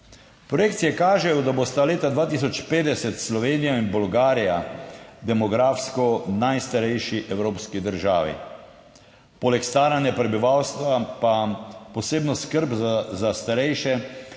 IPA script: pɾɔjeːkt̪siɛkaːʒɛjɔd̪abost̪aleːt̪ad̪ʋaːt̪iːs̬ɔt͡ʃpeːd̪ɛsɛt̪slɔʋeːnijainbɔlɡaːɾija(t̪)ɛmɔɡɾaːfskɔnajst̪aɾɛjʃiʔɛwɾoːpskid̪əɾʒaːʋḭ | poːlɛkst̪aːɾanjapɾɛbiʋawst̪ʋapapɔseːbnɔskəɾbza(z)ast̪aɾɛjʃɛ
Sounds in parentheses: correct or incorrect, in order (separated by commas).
incorrect, correct